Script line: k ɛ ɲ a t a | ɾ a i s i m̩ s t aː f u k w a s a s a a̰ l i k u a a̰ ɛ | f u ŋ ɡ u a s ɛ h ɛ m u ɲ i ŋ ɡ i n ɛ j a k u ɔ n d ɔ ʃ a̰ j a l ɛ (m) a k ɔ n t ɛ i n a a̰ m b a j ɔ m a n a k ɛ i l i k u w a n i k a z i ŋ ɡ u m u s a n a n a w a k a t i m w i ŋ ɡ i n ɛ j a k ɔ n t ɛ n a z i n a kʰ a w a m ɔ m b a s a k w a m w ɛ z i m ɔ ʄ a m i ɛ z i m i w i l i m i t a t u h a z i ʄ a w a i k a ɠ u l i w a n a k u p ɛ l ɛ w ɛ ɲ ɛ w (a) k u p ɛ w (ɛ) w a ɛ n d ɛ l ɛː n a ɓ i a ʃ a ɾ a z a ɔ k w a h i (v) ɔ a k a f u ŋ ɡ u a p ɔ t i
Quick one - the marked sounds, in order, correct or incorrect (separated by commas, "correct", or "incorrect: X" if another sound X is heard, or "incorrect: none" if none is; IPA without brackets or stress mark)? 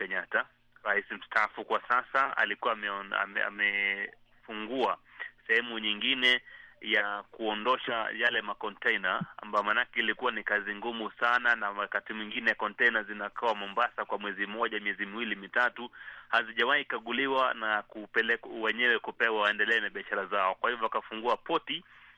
correct, incorrect: ɛ, incorrect: a, correct